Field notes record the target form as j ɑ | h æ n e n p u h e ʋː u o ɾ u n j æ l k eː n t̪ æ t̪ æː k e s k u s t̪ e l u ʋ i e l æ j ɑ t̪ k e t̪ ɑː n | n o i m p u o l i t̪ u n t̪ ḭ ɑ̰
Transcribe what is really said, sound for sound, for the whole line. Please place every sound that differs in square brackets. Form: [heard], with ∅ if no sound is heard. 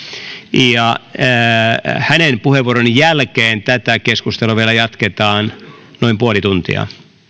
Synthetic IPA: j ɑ | h æ n e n p u h e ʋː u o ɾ [o] n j æ l k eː n t̪ æ t̪ [æ] k e s k u s t̪ e l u ʋ i e l æ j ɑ t̪ k e t̪ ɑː n | n o i m p u o l i t̪ u n t̪ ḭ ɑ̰